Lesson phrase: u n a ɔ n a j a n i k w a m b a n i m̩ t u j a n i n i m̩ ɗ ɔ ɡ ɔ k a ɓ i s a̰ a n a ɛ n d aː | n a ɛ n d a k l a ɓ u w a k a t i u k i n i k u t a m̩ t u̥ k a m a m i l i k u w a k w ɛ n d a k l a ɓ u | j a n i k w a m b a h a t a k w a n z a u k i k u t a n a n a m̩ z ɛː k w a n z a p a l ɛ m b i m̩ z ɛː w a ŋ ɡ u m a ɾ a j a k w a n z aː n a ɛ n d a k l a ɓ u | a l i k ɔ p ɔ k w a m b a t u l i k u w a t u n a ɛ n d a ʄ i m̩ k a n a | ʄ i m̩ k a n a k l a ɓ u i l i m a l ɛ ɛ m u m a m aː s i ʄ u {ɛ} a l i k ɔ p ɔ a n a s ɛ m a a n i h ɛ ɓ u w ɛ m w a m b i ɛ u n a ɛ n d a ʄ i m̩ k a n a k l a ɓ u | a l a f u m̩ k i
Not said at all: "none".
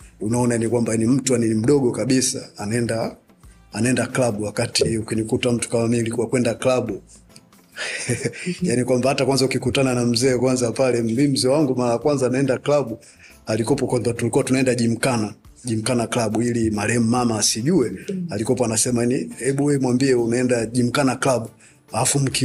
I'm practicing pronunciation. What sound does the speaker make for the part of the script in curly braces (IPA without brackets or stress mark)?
ɛ